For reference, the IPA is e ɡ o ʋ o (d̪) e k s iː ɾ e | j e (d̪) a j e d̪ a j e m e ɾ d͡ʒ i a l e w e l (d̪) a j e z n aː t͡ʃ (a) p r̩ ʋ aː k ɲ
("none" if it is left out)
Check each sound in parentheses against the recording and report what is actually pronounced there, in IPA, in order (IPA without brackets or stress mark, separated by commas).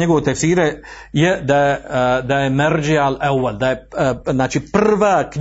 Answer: t̪, d̪, d̪, i